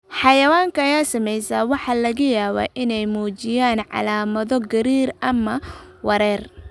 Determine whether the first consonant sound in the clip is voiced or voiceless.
voiceless